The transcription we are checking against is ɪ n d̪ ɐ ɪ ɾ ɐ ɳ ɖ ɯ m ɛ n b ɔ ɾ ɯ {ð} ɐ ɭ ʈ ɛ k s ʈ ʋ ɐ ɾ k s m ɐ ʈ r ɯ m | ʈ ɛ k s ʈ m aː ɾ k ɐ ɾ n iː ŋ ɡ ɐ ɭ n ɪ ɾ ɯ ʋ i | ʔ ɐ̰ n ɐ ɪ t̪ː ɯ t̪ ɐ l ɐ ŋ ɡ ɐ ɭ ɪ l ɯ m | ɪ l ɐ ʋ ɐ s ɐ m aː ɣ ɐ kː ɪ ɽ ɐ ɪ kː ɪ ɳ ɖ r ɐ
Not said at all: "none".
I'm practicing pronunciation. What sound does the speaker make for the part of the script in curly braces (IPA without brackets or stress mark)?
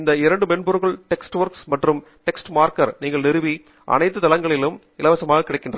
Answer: ɣ